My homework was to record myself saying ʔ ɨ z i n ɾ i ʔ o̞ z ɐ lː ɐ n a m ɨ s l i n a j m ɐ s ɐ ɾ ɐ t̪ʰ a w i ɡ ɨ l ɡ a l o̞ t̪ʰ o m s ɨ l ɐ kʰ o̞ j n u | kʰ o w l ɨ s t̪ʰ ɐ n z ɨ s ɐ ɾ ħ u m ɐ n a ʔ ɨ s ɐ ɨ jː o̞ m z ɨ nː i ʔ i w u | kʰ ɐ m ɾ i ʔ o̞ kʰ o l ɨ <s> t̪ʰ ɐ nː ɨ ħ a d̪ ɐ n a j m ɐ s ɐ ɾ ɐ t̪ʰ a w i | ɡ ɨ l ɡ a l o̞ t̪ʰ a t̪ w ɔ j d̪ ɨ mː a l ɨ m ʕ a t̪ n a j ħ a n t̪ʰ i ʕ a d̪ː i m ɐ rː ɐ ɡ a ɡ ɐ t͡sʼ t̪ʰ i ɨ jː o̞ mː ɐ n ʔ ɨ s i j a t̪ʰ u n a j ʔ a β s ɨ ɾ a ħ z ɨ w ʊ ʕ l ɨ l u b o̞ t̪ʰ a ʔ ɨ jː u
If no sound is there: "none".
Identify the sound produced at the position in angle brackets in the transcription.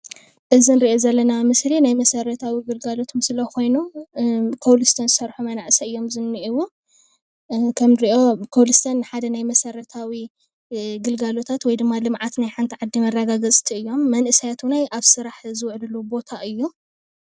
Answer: s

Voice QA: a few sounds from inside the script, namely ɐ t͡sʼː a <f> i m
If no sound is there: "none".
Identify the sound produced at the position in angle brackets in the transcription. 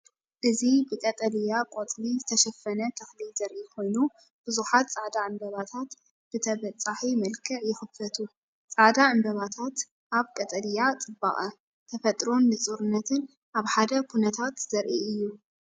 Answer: ħ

